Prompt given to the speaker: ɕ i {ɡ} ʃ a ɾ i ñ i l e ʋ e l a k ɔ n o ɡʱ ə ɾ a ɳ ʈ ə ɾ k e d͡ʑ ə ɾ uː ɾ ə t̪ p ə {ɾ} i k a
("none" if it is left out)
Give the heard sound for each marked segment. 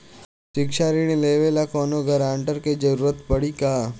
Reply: k, ɽ

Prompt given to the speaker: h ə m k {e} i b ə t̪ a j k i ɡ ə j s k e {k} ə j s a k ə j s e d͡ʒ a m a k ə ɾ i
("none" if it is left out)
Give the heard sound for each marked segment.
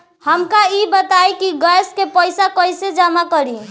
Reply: a, p

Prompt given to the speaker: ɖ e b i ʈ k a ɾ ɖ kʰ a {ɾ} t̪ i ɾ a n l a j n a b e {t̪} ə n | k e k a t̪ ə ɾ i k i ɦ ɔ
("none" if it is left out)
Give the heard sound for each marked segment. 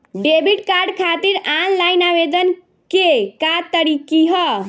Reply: none, d̪

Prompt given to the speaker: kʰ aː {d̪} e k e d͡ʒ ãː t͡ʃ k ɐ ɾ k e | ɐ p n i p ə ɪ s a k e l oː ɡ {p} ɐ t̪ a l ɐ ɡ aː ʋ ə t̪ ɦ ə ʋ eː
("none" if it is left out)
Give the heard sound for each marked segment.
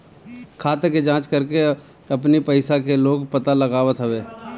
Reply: t̪, p

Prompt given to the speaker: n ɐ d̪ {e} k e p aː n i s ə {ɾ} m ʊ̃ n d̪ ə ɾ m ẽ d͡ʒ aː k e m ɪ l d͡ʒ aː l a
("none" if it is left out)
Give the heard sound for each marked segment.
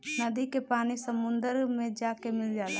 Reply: i, none

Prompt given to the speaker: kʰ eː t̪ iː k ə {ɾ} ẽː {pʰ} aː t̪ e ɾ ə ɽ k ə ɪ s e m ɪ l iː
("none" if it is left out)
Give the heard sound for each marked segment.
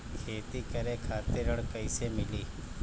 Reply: ɾ, kʰ

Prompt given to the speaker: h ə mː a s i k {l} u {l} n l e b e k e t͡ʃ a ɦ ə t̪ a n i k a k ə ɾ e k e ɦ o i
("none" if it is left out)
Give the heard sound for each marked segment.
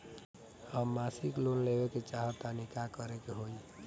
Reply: l, none

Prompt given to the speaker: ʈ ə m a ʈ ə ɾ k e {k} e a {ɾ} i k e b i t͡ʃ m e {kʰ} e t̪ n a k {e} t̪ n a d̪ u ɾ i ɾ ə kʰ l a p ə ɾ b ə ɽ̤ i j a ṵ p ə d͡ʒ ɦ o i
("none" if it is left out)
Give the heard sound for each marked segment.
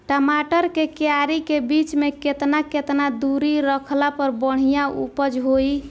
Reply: k, ɾ, k, e

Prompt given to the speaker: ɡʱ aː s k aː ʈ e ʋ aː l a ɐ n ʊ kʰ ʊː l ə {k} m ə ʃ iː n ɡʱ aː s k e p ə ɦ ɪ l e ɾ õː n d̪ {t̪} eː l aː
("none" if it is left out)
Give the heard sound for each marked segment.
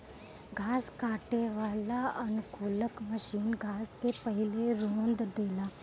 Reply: k, d̪

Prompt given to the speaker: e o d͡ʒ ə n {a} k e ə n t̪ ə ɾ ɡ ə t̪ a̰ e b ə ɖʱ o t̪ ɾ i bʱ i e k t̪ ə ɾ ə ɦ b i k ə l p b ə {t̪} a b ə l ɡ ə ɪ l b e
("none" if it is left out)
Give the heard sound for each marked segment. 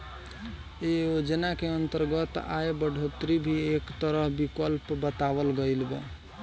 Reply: a, t̪

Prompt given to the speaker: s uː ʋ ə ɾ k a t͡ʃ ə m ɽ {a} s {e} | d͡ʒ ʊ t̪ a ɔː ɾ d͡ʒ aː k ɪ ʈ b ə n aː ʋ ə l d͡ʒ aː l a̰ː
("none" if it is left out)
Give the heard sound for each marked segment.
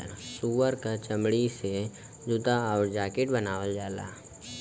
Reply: i, e

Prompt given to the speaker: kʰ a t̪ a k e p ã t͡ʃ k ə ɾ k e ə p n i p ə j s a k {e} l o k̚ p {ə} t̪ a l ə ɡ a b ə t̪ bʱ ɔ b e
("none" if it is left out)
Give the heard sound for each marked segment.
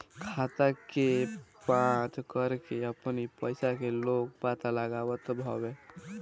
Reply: e, a

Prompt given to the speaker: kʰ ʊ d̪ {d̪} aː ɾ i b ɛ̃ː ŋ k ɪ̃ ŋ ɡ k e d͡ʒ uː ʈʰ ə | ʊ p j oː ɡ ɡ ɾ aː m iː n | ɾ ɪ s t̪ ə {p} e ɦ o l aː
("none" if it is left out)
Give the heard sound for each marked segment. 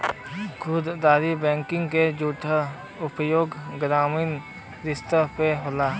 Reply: d̪, p

